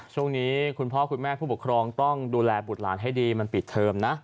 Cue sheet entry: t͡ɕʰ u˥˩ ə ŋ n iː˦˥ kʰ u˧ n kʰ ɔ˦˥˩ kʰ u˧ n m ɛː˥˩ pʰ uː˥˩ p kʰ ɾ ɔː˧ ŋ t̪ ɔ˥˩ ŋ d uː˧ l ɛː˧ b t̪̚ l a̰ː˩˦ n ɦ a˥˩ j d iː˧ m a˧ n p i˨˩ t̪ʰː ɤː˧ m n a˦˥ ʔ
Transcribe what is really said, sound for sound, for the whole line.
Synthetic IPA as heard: t͡ɕʰ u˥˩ ə ŋ n iː˦˥ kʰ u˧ n pʰ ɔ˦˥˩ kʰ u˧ n m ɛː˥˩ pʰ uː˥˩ p kʰ ɾ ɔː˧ ŋ t̪ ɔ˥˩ ŋ d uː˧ l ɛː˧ b t̪̚ l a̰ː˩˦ n ɦ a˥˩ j d iː˧ m a˧ n p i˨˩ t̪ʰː ɤː˧ m n a˦˥ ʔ